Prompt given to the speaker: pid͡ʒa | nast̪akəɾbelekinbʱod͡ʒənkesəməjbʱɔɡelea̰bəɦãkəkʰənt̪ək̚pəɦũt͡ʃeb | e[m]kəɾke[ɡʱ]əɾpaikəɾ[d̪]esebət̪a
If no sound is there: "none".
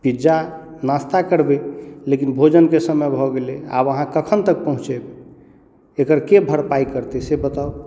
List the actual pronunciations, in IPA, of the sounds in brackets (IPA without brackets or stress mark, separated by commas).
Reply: none, bʱ, t̪